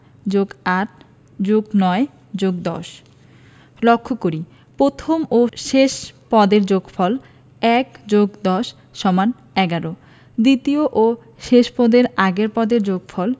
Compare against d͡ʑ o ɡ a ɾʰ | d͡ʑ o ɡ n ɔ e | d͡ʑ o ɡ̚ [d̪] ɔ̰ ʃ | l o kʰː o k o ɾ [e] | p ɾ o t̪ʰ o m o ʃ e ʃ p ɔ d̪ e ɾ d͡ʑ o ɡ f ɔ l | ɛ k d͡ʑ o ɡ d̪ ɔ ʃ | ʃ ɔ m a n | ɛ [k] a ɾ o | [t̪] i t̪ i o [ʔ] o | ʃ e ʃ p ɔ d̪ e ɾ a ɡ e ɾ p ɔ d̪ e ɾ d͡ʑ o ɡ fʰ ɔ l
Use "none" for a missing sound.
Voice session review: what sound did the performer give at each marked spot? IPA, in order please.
d̪, i, ɡ, d̪, ʔ

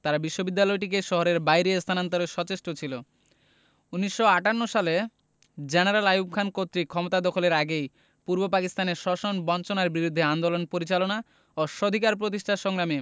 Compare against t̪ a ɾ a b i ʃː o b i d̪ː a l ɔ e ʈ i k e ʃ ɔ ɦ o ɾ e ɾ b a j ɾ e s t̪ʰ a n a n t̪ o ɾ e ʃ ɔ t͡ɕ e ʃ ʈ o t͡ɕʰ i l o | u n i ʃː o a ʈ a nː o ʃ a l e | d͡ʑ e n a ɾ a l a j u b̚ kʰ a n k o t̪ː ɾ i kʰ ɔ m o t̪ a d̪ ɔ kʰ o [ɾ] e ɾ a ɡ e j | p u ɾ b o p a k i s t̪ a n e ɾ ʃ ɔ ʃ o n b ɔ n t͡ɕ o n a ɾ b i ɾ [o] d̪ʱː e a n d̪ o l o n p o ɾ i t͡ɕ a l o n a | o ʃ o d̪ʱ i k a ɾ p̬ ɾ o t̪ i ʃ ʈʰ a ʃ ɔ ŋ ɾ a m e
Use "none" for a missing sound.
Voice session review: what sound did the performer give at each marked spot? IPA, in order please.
l, u

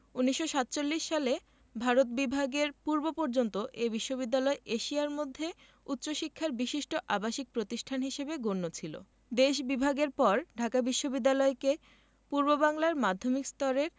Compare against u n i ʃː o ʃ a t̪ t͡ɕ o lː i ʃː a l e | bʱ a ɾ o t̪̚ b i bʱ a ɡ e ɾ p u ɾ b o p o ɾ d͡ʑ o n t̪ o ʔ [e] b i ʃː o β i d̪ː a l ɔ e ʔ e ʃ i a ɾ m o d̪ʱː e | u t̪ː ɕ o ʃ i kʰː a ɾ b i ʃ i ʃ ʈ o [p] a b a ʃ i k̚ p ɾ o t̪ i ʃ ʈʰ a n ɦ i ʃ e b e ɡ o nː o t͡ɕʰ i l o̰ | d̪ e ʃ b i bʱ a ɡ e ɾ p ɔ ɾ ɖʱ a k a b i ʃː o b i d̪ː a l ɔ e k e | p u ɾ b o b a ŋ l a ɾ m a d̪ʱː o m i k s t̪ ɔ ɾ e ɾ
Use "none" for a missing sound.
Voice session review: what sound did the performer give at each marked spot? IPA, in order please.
e, ʔ

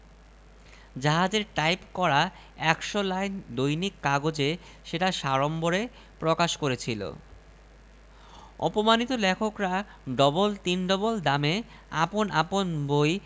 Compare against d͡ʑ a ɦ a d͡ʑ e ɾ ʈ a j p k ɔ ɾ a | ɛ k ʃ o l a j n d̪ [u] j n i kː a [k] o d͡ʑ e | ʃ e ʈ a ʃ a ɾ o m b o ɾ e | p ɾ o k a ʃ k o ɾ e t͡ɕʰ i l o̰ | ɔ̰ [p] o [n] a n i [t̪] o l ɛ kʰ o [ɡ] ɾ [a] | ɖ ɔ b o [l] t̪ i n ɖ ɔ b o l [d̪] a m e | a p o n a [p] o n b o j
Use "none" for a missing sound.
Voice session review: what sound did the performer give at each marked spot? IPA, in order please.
o, ɡ, p, m, t̪, k, a, l, d̪, p

